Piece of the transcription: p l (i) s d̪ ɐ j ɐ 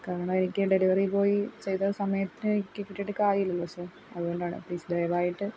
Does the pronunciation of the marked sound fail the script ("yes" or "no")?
yes